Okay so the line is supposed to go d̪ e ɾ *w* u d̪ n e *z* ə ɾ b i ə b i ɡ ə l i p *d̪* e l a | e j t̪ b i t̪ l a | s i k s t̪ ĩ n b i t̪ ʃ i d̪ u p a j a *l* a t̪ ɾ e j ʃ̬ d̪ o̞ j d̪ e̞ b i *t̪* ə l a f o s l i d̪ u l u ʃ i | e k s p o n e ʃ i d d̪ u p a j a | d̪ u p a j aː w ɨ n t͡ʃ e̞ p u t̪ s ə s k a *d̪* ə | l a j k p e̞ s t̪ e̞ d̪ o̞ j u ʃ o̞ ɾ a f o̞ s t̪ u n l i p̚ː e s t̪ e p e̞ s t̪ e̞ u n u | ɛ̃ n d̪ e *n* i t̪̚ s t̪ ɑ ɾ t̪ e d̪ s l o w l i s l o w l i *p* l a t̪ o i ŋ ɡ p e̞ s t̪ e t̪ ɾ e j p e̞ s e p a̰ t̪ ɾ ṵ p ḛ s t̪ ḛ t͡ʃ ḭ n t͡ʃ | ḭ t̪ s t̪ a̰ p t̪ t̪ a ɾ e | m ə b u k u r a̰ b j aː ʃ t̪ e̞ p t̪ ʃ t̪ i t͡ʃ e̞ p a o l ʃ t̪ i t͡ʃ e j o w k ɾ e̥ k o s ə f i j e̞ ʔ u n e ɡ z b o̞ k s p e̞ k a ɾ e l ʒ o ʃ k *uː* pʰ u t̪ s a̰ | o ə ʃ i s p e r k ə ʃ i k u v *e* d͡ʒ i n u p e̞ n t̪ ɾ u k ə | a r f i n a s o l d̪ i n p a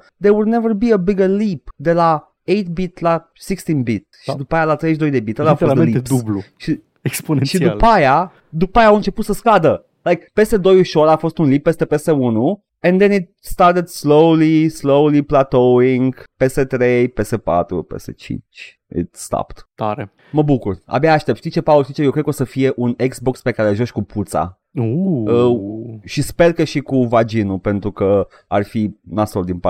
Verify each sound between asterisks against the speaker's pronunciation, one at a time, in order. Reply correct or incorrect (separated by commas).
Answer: correct, incorrect, correct, correct, correct, correct, correct, correct, incorrect, incorrect